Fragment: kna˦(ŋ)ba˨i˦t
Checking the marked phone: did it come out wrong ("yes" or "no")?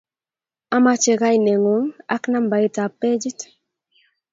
yes